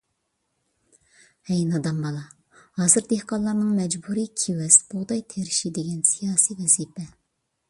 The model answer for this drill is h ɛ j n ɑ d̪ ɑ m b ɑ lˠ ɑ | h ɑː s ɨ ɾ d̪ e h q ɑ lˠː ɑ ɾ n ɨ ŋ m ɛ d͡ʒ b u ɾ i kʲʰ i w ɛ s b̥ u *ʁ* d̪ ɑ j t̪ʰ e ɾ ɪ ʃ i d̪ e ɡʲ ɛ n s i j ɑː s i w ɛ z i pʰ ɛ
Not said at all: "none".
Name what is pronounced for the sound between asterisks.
ʁ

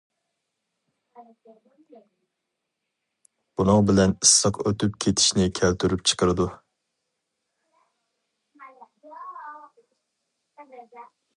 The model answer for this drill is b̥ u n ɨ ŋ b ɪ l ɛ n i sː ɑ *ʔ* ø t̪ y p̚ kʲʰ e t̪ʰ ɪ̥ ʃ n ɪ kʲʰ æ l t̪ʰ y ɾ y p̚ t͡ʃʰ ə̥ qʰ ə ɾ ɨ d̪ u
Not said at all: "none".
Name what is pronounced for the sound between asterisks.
q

